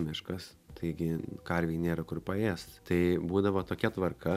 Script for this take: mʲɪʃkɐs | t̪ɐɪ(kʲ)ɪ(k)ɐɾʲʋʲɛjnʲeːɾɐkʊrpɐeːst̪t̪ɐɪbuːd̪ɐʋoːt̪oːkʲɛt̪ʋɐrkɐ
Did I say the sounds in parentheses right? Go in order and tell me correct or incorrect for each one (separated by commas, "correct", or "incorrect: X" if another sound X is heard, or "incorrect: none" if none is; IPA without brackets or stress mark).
incorrect: ɡʲ, correct